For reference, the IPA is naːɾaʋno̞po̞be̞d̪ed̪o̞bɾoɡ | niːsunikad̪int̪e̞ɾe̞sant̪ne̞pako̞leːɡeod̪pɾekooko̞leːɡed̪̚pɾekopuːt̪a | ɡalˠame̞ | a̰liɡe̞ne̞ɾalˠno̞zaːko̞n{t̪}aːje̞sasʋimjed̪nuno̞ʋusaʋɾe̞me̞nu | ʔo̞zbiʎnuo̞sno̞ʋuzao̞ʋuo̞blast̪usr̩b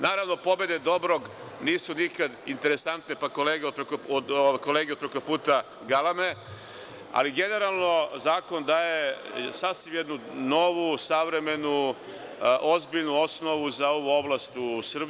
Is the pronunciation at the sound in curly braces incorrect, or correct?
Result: incorrect